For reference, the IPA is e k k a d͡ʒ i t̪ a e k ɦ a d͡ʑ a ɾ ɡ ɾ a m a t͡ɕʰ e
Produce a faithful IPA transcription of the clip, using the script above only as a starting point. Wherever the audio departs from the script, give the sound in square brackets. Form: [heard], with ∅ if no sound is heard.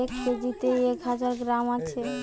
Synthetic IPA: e k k [e] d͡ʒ i t̪ [e] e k ɦ a d͡ʑ a ɾ ɡ ɾ a m a t͡ɕʰ e